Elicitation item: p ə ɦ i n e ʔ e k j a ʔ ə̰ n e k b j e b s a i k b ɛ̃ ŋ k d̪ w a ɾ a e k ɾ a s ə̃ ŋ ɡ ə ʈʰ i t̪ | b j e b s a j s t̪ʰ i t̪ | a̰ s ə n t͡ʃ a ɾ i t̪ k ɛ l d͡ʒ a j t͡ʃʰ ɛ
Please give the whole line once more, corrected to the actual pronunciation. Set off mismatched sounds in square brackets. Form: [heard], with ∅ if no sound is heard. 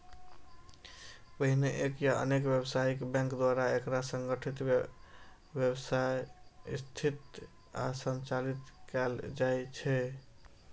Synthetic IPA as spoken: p ə ɦ i n e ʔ e k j a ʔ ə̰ n e k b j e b s a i k b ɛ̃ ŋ k d̪ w a ɾ a e k ɾ a s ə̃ ŋ ɡ ə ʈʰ i t̪ | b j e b s a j s t̪ʰ i t̪ | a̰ s ə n t͡ʃ a [l] i t̪ k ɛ l d͡ʒ a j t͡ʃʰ ɛ

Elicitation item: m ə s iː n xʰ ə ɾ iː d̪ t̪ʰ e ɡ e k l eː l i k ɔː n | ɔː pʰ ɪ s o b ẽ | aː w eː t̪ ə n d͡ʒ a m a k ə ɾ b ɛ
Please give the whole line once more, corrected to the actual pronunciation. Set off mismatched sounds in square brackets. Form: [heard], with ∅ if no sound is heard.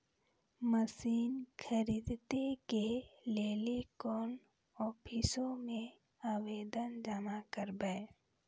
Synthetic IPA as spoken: m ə s iː n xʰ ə ɾ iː d̪ [t̪] e [k] e [∅] l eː l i k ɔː n | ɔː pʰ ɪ s o [m] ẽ | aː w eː [d̪] ə n d͡ʒ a m a k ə ɾ b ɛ

